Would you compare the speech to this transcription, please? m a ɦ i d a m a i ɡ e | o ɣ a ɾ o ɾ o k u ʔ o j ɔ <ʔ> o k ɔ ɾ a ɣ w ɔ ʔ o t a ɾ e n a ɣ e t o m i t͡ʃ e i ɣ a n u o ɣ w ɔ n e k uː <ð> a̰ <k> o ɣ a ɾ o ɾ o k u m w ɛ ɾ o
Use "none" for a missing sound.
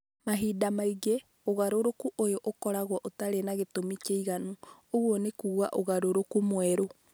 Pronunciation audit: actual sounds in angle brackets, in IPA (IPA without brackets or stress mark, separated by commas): ʔ, ɣ, ʔ